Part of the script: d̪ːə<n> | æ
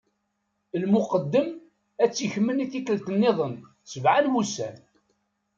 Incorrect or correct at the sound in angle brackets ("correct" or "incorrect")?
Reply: incorrect